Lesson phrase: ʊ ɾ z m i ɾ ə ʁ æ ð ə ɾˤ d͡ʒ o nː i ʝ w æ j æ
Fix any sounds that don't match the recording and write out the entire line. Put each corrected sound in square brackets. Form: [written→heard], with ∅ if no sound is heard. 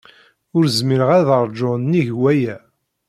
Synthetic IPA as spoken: ʊ ɾ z m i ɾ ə ʁ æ ð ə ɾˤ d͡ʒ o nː i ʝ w æ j æ